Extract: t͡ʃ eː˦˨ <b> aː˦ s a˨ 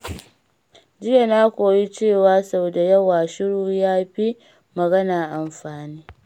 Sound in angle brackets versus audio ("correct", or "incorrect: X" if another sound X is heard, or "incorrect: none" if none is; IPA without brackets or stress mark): incorrect: w